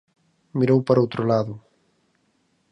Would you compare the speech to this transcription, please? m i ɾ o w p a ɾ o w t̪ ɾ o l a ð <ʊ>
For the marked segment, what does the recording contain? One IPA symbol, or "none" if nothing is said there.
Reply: ʊ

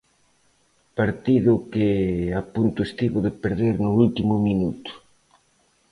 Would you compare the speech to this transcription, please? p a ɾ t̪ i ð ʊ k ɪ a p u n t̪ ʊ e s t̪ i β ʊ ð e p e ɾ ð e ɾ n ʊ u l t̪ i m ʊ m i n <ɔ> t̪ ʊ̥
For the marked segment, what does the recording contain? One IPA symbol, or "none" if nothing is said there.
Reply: u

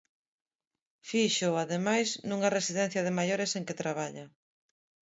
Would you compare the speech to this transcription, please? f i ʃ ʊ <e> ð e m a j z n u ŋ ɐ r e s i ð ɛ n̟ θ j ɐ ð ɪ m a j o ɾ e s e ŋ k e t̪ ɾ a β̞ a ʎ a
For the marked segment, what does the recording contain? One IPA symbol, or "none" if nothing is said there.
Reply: a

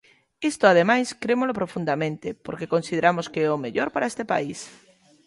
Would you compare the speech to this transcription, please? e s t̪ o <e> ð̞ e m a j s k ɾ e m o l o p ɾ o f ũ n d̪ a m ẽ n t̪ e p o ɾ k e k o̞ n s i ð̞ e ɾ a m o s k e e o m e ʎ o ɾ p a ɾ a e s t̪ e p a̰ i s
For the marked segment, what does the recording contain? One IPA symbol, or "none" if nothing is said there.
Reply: a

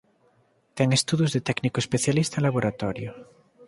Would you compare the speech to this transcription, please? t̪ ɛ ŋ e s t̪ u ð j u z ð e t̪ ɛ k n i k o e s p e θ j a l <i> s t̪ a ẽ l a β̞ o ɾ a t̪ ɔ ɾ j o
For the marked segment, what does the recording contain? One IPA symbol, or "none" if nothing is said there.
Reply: i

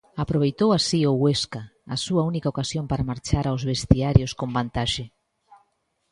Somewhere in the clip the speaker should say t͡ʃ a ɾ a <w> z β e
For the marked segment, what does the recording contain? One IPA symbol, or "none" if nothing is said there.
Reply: w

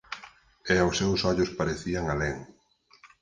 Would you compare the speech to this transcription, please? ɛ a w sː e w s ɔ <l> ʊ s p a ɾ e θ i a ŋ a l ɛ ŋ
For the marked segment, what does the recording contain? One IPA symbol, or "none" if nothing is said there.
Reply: ʎ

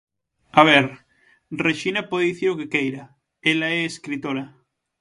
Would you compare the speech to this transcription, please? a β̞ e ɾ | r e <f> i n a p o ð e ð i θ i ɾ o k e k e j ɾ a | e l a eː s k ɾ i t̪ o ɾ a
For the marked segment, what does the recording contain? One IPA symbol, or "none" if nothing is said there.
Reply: ʃ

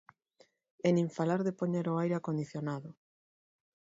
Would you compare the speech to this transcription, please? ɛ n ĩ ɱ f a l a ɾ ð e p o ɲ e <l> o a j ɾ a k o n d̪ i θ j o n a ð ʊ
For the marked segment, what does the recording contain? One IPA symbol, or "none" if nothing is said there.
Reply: ɾ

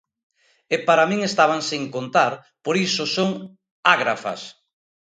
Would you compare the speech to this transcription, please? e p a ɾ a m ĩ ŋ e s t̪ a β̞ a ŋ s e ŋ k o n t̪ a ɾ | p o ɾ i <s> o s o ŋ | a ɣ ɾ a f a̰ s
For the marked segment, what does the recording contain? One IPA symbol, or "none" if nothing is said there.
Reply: s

